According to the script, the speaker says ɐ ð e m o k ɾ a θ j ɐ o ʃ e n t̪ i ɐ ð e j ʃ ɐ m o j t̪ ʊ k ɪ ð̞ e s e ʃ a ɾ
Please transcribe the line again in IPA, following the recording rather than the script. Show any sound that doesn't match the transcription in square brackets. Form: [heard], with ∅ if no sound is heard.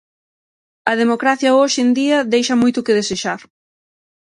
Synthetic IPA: ɐ ð e m o k ɾ a θ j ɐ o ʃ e n [d̪] i ɐ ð e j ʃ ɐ m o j t̪ ʊ k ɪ ð̞ e s e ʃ a ɾ